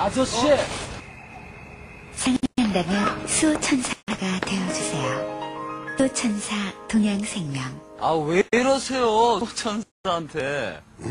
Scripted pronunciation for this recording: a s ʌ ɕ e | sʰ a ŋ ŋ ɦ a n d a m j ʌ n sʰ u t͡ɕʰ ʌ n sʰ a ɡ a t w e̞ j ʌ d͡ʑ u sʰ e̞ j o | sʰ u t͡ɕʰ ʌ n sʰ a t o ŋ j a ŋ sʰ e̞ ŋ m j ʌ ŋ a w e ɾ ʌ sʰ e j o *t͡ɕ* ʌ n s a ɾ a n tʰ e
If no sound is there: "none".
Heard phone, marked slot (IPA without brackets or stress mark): t͡ɕʰ